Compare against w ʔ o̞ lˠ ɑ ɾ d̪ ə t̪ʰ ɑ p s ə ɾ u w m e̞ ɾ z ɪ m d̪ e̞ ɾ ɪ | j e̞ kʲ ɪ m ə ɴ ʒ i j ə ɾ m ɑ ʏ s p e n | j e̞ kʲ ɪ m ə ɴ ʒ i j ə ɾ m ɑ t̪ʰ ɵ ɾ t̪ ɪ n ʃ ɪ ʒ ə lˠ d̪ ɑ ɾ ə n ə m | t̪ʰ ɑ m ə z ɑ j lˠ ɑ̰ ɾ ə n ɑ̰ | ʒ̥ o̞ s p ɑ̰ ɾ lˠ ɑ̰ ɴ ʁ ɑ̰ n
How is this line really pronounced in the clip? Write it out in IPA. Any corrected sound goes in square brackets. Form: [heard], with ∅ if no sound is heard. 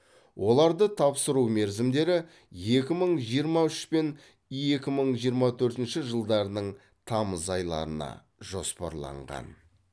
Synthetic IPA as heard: w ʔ o̞ lˠ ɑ ɾ d̪ ə t̪ʰ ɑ p s ə ɾ u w m e̞ ɾ z ɪ m d̪ e̞ ɾ ɪ | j e̞ kʲ ɪ m ə ɴ ʒ i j ə ɾ m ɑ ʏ [ʃ] p e n | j e̞ kʲ ɪ m ə ɴ ʒ i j ə ɾ m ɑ t̪ʰ ɵ ɾ t̪ ɪ n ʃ ɪ ʒ ə lˠ d̪ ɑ ɾ ə n ə [ɴ] | t̪ʰ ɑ m ə z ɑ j lˠ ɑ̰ ɾ ə n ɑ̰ | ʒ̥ o̞ s p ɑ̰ ɾ lˠ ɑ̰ ɴ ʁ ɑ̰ n

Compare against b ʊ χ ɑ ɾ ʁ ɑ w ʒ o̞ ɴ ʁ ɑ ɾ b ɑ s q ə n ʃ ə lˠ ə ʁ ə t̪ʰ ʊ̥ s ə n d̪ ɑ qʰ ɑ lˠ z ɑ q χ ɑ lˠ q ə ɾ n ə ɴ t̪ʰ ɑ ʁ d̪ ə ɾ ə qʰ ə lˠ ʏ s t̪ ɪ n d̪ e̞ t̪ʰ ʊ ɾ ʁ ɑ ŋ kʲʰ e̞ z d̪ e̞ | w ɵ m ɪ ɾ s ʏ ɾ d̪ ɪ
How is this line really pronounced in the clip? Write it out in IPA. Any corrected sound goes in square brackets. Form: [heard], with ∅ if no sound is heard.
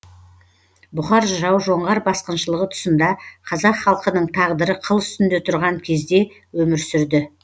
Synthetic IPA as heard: b ʊ χ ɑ ɾ [ʒ] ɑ w ʒ o̞ ɴ ʁ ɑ ɾ b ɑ s q ə n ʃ ə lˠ ə ʁ ə t̪ʰ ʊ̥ s ə n d̪ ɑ qʰ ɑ [∅] z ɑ q χ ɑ lˠ q ə [∅] n ə ɴ t̪ʰ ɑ ʁ d̪ ə ɾ ə qʰ ə lˠ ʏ s t̪ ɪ n d̪ e̞ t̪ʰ ʊ ɾ ʁ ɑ ŋ kʲʰ e̞ z d̪ e̞ | w ɵ m ɪ ɾ s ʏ ɾ d̪ ɪ

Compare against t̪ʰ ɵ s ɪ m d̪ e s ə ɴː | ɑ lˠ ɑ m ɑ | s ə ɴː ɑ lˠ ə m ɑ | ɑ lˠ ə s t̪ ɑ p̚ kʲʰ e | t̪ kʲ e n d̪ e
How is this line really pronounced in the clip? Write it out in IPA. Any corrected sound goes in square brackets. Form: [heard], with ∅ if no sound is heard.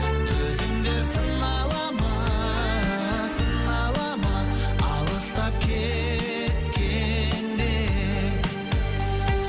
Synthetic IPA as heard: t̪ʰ ɵ [z] ɪ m d̪ e s ə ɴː | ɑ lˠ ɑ m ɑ | s ə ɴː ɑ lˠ [ɑ] m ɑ | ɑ lˠ ə s t̪ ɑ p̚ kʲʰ e | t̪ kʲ e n d̪ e

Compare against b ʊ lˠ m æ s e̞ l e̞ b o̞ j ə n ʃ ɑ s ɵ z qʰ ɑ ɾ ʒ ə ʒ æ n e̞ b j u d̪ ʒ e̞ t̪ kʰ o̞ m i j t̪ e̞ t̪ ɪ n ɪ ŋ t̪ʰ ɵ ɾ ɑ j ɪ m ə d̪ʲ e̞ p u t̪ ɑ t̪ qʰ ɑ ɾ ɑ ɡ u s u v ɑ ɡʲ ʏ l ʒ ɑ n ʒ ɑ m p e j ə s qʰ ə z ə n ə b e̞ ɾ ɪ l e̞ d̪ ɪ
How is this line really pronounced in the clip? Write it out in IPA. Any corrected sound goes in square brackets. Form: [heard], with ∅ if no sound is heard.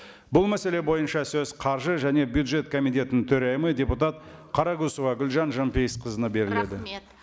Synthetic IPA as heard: b ʊ lˠ m æ s e̞ l e̞ b o̞ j ə n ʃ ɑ s ɵ z qʰ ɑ ɾ ʒ ə ʒ æ n e̞ b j u d̪ ʒ e̞ t̪ kʰ o̞ m i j t̪ e̞ t̪ ɪ n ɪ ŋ t̪ʰ ɵ ɾ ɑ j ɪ m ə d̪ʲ e̞ p u t̪ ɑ t̪ qʰ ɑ ɾ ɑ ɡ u s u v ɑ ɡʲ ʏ l ʒ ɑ n ʒ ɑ m p e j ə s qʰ ə z ə n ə b e̞ ɾ ɪ l e̞ d̪ ɪ

